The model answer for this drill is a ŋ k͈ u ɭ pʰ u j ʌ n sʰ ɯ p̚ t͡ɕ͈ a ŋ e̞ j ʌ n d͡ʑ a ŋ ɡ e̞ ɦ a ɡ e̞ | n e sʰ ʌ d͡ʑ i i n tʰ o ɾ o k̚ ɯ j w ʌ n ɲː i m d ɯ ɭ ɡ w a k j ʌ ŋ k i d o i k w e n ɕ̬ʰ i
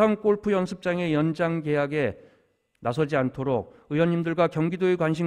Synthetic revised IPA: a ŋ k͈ o ɭ pʰ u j ʌ n sʰ ɯ p̚ t͡ɕ͈ a ŋ e̞ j ʌ n d͡ʑ a ŋ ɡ e̞ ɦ a ɡ e̞ | n a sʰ ʌ d͡ʑ i a n tʰ o ɾ o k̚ ɯ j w ʌ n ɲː i m d ɯ ɭ ɡ w a k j ʌ ŋ ɡ i d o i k w a n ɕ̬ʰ i